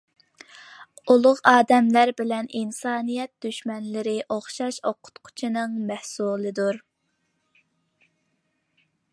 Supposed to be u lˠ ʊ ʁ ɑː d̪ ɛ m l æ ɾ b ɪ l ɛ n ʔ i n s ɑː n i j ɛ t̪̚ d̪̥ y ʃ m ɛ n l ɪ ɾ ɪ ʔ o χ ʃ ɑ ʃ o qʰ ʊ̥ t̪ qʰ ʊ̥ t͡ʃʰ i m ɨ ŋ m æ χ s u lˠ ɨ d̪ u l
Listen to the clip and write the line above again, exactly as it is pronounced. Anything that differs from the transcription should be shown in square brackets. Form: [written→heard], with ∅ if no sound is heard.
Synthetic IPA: u lˠ ʊ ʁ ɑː d̪ ɛ m l æ ɾ b ɪ l ɛ n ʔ i n s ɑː n i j ɛ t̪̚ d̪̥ y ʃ m ɛ n l ɪ ɾ ɪ ʔ o χ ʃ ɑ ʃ o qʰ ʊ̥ t̪ qʰ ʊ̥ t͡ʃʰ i [m→n] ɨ ŋ m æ [χ→h] s u lˠ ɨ d̪ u [l→ɾ]